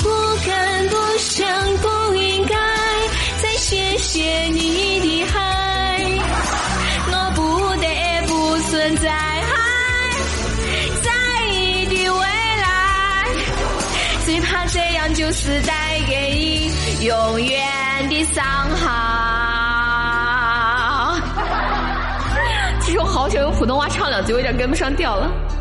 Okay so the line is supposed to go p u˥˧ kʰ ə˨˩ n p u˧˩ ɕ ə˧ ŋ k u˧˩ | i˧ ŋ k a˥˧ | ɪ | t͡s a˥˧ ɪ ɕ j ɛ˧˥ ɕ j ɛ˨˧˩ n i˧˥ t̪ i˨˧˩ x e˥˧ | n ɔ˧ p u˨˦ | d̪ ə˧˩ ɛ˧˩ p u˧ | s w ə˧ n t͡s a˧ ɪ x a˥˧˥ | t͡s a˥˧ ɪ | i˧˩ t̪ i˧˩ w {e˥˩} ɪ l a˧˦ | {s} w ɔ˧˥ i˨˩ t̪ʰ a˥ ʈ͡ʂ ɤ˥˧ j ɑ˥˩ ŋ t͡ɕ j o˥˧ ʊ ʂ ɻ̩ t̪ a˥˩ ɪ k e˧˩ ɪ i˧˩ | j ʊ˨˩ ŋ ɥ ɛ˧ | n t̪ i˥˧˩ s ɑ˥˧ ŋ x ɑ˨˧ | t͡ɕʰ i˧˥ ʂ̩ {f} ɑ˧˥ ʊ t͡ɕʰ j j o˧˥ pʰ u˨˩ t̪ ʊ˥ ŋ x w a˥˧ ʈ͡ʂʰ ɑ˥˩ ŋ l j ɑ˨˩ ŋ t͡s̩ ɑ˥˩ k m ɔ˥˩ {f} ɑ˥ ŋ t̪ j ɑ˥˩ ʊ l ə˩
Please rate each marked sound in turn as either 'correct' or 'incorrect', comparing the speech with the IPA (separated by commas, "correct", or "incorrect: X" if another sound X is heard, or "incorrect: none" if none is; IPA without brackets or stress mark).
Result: incorrect: e˧˥, correct, incorrect: x, incorrect: ʂ